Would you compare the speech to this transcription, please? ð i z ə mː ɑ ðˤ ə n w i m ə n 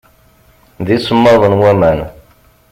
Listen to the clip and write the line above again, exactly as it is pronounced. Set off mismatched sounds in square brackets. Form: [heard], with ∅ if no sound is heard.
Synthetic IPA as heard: ð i [s] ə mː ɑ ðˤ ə n w [æ] m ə n